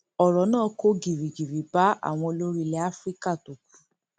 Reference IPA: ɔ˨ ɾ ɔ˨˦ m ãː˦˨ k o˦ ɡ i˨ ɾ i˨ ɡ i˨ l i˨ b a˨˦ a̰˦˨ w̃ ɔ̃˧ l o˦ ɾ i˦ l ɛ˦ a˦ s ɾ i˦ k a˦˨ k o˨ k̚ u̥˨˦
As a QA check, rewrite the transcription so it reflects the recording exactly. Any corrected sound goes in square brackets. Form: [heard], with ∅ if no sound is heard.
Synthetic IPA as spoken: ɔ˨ ɾ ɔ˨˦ [n] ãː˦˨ k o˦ ɡ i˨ ɾ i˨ ɡ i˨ [ɾ] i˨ b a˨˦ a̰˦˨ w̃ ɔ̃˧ l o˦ ɾ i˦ l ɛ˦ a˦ [f] ɾ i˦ k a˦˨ [t] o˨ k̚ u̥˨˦